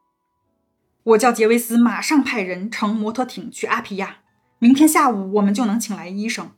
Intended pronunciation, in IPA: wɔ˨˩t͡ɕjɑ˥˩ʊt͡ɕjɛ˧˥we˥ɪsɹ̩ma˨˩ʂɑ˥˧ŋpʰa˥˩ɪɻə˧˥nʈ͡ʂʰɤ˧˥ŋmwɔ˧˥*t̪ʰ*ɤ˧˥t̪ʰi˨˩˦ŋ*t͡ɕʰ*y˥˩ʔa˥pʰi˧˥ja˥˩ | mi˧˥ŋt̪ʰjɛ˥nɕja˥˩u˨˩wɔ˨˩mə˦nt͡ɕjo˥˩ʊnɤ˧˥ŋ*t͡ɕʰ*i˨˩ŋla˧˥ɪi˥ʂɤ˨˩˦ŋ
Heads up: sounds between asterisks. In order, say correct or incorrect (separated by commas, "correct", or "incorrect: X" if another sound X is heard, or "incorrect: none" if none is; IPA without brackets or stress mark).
correct, correct, correct